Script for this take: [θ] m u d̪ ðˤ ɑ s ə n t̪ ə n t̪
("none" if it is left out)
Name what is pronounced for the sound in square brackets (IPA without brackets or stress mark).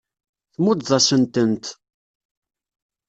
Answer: θ